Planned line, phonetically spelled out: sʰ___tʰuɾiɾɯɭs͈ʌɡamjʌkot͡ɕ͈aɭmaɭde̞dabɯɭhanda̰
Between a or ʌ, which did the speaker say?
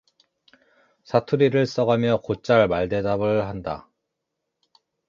a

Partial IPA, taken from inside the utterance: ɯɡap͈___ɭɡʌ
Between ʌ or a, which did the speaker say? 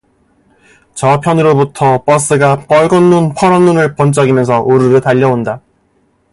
ʌ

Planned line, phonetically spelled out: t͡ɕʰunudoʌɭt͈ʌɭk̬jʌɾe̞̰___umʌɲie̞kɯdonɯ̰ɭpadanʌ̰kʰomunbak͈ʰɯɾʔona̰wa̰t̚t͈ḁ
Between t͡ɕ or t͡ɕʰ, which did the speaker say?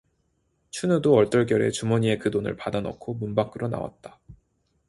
t͡ɕ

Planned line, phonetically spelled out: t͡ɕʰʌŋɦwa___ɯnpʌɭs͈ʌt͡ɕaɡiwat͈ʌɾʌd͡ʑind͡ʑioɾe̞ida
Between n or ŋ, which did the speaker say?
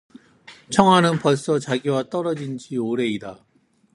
n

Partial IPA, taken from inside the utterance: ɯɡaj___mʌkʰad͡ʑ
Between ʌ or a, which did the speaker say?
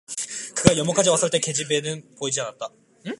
ʌ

